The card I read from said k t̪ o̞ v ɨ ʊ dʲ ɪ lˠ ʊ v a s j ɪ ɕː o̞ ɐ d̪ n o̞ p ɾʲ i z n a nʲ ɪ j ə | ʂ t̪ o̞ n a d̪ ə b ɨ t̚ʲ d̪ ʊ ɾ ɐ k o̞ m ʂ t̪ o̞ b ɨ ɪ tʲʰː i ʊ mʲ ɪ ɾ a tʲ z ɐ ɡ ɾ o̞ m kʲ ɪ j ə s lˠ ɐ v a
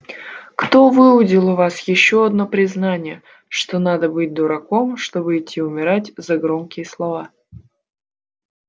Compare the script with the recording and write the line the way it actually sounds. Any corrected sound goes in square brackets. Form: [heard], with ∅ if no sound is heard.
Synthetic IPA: k t̪ o̞ v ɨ ʊ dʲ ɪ lˠ ʊ v a s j ɪ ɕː o̞ ɐ d̪ n o̞ p ɾʲ [ɪ] z n a nʲ ɪ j ə | ʂ t̪ o̞ n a d̪ ə b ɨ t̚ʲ d̪ ʊ ɾ ɐ k o̞ m ʂ t̪ o̞ b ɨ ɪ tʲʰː i ʊ mʲ ɪ ɾ a tʲ z ɐ ɡ ɾ o̞ m kʲ ɪ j ə s lˠ ɐ v a